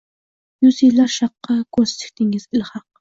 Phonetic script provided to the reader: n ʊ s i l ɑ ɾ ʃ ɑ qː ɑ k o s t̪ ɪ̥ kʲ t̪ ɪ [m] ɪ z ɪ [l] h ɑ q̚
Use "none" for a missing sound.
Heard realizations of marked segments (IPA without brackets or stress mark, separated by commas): ŋ, l